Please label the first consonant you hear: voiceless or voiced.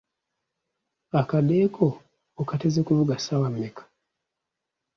voiceless